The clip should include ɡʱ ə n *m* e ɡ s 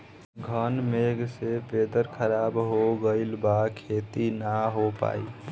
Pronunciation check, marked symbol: correct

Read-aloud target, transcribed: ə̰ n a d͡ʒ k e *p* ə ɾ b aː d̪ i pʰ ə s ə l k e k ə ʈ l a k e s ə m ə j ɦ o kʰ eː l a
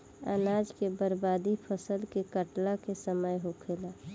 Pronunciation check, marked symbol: incorrect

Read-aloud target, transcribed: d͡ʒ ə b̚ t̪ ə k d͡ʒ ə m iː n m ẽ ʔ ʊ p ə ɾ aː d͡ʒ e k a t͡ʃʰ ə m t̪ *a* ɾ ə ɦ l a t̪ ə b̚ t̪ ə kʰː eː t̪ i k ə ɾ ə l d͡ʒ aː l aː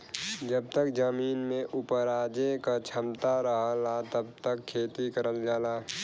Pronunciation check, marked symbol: correct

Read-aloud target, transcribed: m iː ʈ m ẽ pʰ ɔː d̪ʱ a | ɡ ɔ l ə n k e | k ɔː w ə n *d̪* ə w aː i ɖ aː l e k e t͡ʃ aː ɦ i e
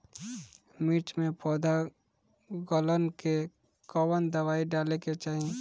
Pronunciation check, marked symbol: correct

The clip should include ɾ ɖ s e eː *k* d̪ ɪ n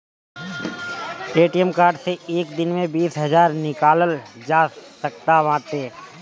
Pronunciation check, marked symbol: correct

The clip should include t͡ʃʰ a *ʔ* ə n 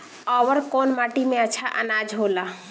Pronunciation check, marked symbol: correct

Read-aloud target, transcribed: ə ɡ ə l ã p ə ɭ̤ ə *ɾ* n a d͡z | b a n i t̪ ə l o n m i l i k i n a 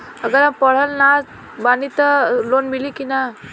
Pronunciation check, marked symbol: incorrect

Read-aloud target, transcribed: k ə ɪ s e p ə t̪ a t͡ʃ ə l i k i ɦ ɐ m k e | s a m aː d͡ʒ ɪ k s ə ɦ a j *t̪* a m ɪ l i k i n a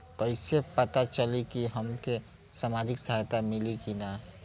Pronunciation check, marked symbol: correct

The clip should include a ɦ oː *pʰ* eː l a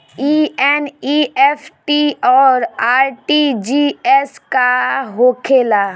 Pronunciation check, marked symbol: incorrect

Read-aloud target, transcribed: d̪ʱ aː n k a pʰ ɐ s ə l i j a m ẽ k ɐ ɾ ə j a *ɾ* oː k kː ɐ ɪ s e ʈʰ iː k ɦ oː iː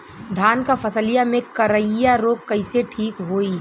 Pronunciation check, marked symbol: correct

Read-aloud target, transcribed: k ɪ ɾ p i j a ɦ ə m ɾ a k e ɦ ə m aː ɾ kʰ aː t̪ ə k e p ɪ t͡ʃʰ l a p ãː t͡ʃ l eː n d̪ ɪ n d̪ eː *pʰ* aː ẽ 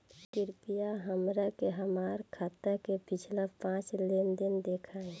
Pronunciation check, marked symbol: incorrect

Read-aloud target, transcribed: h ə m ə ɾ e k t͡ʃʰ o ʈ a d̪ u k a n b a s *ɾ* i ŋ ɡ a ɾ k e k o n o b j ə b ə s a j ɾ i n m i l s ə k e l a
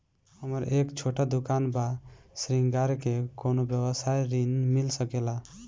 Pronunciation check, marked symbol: correct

